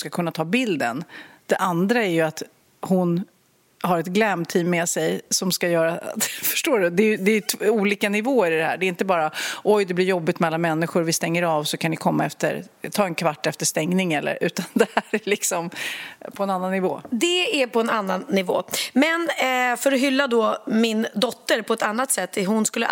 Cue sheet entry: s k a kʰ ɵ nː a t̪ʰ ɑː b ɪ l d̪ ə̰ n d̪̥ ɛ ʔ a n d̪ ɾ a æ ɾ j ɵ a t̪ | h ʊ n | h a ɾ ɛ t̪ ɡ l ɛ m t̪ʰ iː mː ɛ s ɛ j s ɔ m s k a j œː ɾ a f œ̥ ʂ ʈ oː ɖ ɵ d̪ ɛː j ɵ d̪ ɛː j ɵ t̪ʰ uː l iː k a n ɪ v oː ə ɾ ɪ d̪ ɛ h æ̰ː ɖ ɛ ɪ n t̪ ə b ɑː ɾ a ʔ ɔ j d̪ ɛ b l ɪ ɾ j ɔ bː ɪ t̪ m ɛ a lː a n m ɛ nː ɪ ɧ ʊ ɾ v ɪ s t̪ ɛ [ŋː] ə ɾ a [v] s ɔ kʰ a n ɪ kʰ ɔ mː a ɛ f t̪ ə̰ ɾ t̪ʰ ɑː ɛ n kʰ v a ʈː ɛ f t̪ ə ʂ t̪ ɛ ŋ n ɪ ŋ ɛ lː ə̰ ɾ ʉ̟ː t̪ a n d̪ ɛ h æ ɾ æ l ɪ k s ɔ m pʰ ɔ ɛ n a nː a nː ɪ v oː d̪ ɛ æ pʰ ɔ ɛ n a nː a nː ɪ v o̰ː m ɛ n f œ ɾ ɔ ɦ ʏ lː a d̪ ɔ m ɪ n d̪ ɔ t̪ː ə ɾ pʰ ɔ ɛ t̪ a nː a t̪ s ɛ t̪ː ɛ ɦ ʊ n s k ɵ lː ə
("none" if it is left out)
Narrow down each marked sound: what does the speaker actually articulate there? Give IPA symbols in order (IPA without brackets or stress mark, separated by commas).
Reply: ŋː, v